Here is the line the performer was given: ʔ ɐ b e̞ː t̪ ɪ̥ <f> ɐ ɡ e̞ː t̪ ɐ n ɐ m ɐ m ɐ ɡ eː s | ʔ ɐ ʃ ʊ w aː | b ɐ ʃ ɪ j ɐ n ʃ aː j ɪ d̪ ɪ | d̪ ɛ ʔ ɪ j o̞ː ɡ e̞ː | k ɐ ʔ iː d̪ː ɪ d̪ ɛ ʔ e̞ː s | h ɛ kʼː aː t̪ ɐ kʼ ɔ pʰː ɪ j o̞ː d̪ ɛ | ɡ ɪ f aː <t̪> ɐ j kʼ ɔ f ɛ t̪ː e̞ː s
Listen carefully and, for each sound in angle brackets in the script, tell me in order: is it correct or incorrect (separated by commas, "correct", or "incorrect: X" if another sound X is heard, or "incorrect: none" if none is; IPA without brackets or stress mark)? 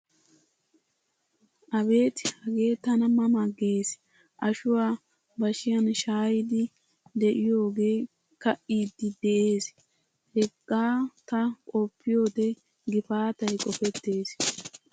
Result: incorrect: h, correct